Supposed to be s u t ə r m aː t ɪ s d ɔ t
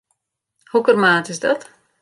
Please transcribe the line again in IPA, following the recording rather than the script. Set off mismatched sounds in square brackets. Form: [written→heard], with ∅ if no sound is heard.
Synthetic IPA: [s→h] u [t→k] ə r m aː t ɪ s d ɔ t